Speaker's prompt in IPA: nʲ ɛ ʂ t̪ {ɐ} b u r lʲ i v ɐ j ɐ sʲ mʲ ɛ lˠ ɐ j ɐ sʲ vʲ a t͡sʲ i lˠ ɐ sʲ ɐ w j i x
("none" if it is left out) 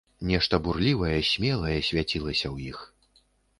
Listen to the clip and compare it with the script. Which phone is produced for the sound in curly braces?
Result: ɐ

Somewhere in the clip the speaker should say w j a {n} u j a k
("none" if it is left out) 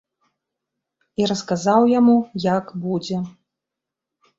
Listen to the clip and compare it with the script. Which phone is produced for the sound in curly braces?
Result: m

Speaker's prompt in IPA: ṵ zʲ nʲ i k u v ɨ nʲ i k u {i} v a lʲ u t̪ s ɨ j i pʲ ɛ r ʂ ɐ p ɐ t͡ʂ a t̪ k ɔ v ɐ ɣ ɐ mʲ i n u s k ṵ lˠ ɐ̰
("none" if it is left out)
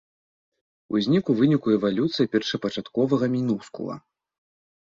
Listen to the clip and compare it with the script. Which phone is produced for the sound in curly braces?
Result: ɛ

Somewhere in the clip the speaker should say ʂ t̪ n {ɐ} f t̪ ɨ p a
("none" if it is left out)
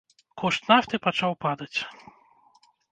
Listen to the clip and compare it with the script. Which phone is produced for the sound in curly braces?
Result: a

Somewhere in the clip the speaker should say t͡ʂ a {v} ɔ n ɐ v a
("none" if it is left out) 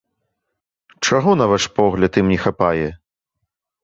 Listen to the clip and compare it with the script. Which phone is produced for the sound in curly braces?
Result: ɣ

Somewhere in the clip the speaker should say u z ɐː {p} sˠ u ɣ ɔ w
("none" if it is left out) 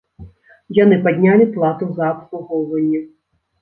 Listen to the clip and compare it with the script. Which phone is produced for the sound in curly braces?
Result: p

